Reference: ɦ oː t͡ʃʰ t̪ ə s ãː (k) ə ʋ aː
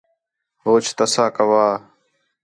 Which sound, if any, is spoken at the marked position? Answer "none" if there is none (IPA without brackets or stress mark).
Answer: k